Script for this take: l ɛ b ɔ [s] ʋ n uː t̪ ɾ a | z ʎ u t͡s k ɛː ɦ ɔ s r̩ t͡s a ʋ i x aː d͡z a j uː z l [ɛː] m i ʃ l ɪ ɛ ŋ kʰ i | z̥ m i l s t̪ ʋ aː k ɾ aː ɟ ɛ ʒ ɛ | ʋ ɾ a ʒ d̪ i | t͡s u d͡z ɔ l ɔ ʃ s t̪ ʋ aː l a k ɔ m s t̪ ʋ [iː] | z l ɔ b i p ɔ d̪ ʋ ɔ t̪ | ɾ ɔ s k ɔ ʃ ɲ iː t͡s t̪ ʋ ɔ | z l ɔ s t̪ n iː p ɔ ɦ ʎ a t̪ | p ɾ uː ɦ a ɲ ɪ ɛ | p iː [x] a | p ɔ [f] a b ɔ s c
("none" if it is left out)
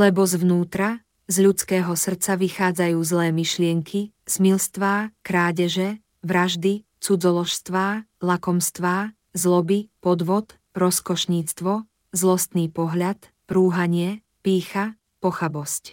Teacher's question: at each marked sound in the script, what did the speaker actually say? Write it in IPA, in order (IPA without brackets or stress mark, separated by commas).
z, ɛː, aː, x, x